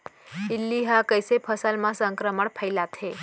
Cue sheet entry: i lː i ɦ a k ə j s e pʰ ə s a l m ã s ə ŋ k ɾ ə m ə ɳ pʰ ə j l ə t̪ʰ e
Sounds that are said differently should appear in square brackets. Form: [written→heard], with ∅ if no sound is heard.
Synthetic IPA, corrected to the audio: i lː i ɦ a k ə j s e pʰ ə s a l m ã s ə ŋ k ɾ ə m ə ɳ pʰ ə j l [ə→a] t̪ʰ e